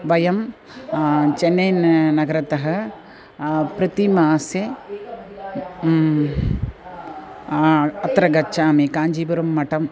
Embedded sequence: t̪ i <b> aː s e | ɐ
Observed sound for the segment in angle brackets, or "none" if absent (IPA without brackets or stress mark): m